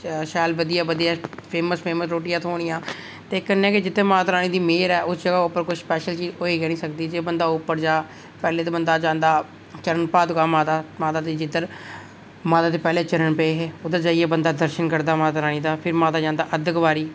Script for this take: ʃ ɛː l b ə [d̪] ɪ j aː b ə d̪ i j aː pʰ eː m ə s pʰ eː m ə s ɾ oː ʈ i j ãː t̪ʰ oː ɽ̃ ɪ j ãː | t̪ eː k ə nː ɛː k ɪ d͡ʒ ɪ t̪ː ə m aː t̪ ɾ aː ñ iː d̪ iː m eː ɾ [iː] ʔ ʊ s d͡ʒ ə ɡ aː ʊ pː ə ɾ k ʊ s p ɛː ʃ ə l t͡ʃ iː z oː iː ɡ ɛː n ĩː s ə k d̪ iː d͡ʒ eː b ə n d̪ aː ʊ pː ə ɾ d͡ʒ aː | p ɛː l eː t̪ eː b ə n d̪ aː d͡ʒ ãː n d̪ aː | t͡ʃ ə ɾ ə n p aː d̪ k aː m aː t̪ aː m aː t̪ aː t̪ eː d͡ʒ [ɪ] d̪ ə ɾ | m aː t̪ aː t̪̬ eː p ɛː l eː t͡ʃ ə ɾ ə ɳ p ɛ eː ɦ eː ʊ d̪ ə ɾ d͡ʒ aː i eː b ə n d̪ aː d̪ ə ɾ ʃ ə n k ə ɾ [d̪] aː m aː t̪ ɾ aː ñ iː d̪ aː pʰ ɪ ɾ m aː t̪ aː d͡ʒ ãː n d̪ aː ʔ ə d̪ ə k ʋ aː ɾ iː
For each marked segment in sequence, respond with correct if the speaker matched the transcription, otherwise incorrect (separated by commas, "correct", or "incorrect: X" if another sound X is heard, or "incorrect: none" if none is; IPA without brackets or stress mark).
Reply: correct, incorrect: ɛː, correct, correct